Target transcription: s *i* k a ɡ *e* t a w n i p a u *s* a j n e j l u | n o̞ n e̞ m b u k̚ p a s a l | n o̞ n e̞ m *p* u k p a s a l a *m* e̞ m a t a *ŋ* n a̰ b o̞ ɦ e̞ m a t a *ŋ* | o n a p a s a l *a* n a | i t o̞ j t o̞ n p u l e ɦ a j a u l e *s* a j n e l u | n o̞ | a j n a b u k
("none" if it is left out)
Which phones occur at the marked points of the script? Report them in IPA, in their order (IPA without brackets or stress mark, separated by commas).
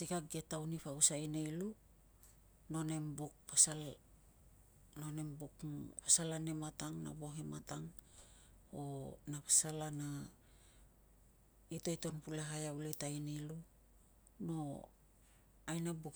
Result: i, e, s, b, n, ŋ, ŋ, a, t